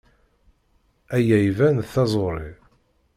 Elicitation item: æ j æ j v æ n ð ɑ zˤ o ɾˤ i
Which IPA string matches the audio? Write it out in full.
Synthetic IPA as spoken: æ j æ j v æ n θ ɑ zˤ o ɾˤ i